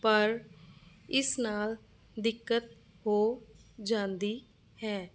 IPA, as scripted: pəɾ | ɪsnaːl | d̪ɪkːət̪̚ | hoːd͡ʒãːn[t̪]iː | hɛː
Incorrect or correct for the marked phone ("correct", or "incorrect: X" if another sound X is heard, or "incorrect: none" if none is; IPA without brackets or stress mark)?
incorrect: d̪